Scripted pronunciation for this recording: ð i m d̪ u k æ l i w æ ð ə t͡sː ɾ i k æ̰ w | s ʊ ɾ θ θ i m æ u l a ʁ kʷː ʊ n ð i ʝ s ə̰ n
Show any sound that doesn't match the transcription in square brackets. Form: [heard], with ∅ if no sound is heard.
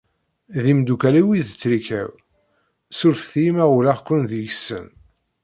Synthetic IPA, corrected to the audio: ð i m d̪ u k æ l i w [i] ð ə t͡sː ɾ i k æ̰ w | s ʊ ɾ θ θ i m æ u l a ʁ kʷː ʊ n ð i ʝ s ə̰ n